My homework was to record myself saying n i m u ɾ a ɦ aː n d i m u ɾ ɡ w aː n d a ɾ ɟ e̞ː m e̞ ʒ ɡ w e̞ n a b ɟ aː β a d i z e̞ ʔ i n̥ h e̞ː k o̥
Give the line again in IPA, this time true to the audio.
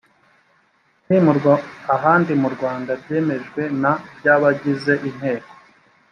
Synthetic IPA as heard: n i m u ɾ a ɦ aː n d i m u ɾ ɡ w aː n d a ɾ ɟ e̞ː m e̞ ʒ ɡ w e̞ n a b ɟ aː β a ɟ i z e̞ ʔ i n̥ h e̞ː k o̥